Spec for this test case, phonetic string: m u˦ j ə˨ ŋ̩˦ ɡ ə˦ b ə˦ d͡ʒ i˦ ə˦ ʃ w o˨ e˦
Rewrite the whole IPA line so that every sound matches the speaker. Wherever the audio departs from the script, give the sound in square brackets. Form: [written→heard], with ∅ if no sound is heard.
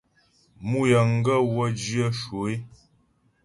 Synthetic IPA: m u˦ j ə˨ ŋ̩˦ ɡ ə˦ [b→w] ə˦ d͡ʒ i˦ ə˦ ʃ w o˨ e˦